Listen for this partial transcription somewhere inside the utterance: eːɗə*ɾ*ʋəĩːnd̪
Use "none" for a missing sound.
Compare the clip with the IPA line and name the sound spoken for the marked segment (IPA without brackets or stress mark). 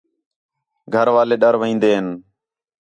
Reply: ɾ